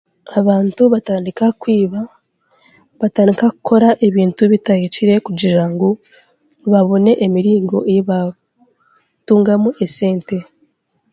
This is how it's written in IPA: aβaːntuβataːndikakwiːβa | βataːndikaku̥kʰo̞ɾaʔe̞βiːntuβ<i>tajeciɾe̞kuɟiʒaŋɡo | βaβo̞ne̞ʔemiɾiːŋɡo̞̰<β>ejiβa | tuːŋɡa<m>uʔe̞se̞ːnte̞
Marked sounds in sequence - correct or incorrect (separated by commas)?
correct, incorrect, correct